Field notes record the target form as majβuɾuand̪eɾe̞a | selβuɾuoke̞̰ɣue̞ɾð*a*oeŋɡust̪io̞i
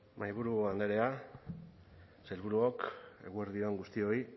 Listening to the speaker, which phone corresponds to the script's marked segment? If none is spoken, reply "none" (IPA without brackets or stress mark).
i